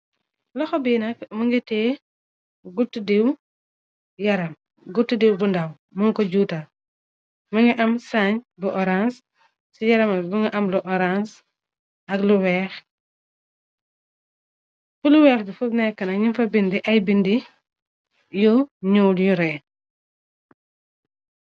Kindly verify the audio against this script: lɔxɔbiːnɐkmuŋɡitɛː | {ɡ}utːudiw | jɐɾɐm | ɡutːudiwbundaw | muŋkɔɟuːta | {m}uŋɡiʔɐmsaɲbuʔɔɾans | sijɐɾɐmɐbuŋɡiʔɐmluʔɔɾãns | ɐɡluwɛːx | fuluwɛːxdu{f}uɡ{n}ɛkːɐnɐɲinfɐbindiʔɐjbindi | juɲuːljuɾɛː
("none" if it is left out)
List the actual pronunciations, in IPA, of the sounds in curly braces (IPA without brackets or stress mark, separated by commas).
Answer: ɡ, m, f, n